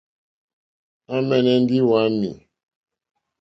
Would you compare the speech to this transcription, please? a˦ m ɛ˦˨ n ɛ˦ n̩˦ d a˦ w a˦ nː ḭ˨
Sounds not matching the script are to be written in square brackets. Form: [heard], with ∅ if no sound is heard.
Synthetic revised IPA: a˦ m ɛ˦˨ n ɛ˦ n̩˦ d [i˦] w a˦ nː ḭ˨